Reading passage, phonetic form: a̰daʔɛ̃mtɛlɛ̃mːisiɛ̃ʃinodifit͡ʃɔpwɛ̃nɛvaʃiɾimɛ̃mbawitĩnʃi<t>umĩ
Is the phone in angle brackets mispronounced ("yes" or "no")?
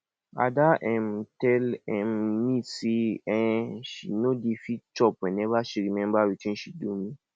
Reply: yes